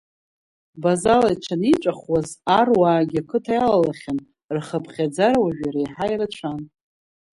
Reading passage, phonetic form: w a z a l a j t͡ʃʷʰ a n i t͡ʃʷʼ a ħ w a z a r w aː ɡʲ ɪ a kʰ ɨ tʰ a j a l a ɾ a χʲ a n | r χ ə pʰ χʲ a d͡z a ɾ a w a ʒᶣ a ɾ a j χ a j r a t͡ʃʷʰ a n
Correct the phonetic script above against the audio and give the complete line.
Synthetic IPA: b a z a l a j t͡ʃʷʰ a n i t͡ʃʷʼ a χ w a z a r w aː ɡʲ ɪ a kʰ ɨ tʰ a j a l a l a χʲ a n | r χ ə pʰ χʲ a d͡z a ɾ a w a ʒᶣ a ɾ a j ħ a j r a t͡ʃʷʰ a n